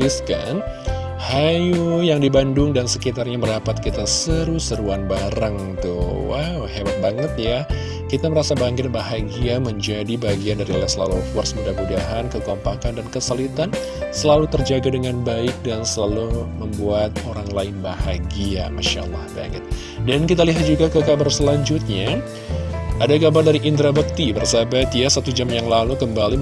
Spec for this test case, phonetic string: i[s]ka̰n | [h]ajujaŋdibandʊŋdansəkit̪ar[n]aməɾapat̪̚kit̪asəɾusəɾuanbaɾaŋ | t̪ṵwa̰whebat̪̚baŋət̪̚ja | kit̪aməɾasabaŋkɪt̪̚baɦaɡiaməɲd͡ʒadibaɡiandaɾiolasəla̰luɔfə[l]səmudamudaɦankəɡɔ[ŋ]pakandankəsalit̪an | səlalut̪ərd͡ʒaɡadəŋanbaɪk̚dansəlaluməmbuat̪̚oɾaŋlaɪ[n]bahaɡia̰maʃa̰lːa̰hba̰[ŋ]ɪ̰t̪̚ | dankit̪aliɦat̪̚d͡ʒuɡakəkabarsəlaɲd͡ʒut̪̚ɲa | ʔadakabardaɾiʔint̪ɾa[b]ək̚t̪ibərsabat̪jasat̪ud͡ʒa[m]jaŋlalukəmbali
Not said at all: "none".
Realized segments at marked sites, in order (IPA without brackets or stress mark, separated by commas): s, h, ɲ, r, m, n, ŋ, b, m